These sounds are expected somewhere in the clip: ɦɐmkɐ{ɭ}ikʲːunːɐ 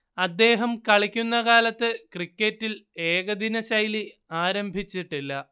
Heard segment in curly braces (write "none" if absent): ɭ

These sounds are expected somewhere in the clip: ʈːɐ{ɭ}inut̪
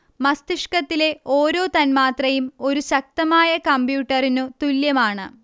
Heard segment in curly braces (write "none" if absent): r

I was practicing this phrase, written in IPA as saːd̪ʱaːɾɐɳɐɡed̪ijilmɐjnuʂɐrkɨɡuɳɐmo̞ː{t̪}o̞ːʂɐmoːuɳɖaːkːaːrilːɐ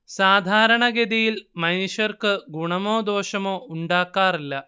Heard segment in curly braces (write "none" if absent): d̪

